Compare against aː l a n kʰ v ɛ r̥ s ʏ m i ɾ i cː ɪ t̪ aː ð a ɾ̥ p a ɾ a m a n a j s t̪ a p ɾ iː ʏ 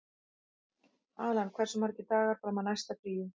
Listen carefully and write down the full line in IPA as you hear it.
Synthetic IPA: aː l a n kʰ v ɛ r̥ s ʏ m a ɾ ɛ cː ɪ t̪ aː ɣ a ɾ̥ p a ɾ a m a n a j s t̪ a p ɾ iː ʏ